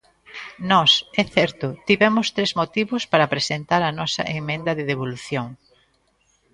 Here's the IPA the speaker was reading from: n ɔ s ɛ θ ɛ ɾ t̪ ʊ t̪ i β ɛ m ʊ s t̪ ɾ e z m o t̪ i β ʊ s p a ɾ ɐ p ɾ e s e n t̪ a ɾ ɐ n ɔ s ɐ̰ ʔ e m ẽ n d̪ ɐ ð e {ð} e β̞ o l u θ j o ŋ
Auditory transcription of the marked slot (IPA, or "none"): ð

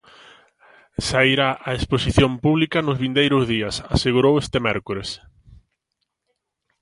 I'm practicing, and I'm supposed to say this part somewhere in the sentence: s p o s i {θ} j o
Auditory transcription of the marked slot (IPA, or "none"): θ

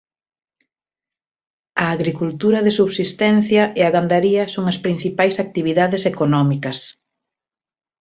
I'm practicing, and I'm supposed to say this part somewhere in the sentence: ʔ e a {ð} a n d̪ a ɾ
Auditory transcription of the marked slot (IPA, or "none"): ɣ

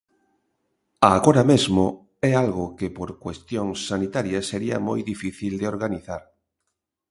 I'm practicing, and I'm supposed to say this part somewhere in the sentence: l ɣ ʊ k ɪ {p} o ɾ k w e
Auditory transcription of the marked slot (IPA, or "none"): p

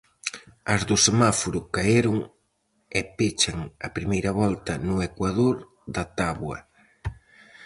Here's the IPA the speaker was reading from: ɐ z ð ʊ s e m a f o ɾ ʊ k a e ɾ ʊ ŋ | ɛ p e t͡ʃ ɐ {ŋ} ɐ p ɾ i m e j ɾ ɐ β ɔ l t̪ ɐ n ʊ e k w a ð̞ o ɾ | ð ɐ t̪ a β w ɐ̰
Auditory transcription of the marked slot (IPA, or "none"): ŋ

